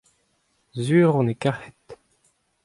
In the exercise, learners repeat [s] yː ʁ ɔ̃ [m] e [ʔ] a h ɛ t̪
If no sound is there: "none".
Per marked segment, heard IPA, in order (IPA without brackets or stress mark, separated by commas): z, n, k